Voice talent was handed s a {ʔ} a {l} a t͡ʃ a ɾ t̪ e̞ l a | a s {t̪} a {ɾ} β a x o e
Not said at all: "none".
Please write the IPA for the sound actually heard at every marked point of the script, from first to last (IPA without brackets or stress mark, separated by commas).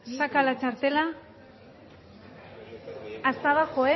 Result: k, l, t̪, none